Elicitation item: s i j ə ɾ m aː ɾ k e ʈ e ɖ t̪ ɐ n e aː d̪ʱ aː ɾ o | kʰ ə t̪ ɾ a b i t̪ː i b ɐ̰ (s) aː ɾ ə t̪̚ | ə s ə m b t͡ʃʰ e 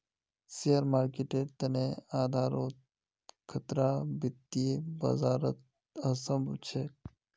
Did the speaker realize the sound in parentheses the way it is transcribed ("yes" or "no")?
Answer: no